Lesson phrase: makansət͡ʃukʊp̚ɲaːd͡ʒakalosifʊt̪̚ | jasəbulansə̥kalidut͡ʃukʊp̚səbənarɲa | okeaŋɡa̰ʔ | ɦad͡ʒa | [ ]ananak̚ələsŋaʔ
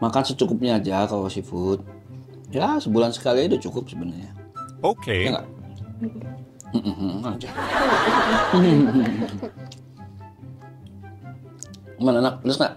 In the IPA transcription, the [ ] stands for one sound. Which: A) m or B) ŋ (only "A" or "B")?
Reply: A